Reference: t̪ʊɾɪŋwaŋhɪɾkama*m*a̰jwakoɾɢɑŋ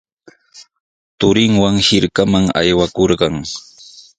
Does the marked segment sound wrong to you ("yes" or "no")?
yes